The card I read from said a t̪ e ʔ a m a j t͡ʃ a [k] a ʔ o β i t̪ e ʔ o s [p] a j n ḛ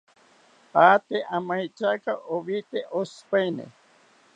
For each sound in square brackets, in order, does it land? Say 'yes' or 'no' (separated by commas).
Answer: yes, yes